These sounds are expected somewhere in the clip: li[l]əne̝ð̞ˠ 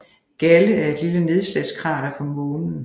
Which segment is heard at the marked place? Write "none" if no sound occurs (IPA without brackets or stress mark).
l